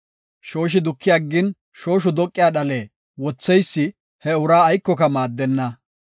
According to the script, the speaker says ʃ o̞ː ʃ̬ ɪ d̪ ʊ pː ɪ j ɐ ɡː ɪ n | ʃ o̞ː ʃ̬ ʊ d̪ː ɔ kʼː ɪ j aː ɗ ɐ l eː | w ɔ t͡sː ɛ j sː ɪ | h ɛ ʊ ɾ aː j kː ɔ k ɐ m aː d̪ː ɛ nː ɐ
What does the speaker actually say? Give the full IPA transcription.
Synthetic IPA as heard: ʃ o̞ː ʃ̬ ɪ d̪ ʊ kː ɪ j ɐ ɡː ɪ n | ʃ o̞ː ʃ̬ ʊ d̪ ɔ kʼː ɪ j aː ɗ ɐ l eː | w ɔ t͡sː ɛ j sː ɪ | h ɛ ʊ ɾ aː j kː ɔ k ɐ m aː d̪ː ɛ nː ɐ